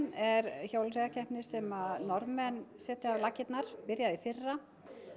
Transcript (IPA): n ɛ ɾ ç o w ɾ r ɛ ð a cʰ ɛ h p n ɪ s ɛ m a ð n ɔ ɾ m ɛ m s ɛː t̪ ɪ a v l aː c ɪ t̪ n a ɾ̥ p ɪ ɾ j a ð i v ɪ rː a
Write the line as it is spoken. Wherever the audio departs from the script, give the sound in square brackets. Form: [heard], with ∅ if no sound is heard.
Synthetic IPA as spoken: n ɛ ɾ ç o w [l] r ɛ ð a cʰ ɛ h p n ɪ s ɛ m a ð n ɔ ɾ m ɛ [n] s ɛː t̪ ɪ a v l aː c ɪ t̪ n a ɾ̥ p ɪ ɾ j a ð i [f] ɪ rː a